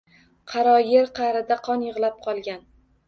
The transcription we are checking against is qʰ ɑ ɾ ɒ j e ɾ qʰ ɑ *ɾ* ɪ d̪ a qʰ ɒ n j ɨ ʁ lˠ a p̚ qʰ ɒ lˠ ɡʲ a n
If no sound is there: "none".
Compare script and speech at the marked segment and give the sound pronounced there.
ɾ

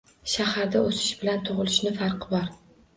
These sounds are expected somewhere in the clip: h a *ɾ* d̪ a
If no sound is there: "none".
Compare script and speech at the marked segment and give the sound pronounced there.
ɾ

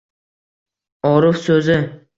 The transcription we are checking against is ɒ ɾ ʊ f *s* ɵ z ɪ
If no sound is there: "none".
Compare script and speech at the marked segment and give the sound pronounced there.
s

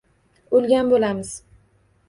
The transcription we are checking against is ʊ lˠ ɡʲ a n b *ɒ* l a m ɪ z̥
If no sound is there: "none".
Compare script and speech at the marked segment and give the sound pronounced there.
o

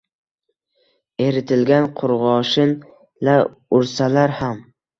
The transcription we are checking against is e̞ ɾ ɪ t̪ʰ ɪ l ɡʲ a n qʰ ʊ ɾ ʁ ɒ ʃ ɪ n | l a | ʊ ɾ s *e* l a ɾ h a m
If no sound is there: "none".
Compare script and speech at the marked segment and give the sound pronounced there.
a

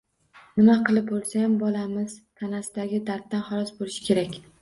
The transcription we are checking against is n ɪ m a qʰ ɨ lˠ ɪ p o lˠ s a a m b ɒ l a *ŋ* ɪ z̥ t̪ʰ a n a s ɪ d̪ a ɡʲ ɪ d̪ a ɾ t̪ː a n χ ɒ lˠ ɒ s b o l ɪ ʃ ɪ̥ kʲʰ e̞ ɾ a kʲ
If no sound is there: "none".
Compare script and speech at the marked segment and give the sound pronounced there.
m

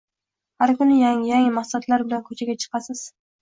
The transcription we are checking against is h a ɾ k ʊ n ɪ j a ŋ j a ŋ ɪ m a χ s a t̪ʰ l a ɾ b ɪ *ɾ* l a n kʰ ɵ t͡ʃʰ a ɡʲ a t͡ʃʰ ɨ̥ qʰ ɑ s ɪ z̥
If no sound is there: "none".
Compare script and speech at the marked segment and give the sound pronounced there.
none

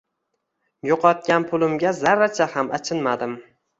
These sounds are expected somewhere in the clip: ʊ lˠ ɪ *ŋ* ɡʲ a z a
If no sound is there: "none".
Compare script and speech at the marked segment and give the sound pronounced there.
m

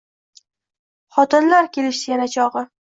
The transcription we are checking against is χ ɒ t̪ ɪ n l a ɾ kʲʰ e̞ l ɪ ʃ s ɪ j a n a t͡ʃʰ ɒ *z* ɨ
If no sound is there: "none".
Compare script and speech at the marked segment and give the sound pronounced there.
ʁ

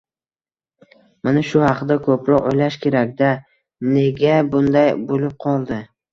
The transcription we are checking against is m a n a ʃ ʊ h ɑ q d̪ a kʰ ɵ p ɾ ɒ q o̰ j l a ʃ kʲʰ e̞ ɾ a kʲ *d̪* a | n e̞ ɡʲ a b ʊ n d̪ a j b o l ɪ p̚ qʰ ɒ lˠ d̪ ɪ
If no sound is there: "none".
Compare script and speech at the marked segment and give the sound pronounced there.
d̪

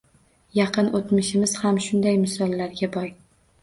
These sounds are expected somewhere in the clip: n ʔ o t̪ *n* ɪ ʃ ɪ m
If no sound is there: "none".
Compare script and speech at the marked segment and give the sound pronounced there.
m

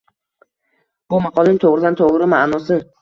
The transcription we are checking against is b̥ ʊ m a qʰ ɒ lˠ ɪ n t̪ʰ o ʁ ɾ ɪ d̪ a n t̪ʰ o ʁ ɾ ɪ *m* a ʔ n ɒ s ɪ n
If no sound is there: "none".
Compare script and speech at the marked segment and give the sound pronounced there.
m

